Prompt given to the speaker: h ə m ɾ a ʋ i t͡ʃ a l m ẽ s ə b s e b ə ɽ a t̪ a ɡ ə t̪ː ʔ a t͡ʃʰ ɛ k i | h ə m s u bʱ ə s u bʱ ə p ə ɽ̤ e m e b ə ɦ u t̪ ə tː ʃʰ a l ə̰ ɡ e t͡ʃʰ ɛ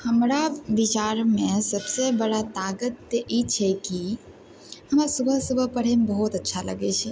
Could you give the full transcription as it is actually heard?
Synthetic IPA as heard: h ə m ɾ a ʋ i t͡ʃ a ɾ m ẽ s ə b s e b ə ɽ a t̪ a ɡ ə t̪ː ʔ i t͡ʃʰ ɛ k i | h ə m s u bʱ ə s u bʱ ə p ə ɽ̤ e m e b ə ɦ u t̪ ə tː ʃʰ a l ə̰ ɡ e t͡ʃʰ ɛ